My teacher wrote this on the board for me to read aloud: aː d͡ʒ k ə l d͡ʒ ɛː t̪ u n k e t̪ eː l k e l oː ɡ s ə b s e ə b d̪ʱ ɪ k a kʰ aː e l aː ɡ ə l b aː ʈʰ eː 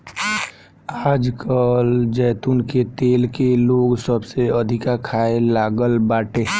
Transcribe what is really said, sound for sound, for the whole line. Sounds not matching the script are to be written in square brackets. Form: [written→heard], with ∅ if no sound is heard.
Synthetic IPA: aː d͡ʒ k ə l d͡ʒ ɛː t̪ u n k e t̪ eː l k e l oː ɡ s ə b s e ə [b→∅] d̪ʱ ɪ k a kʰ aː e l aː ɡ ə l b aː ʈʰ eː